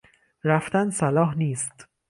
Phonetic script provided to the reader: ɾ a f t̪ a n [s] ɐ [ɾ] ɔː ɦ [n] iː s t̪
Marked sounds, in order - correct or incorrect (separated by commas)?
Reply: correct, incorrect, correct